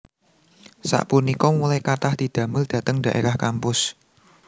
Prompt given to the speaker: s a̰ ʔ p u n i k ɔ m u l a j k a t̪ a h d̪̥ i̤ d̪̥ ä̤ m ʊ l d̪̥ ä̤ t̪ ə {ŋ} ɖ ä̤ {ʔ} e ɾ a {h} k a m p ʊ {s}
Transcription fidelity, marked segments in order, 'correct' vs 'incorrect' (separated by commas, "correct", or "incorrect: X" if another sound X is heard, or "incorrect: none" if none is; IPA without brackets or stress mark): correct, correct, correct, correct